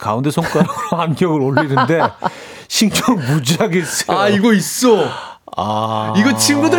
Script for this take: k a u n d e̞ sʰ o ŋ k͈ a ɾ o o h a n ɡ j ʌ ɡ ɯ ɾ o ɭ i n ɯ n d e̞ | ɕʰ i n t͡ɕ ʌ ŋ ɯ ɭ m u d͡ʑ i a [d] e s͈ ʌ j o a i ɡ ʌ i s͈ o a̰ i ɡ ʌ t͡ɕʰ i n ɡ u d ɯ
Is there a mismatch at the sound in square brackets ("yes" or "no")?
yes